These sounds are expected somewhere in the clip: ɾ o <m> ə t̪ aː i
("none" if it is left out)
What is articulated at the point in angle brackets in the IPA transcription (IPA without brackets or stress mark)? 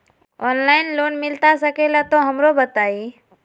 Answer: b